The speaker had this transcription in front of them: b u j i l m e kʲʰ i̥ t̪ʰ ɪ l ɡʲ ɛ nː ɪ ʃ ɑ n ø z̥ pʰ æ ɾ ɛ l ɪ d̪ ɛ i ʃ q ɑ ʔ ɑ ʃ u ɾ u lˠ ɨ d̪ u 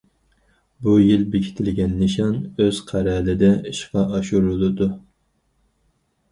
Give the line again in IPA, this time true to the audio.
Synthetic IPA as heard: b u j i l b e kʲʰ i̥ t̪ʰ ɪ l ɡʲ ɛ nː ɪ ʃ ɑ n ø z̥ qʰ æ ɾ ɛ l ɪ d̪ ɛ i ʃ q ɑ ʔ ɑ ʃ u ɾ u lˠ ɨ d̪ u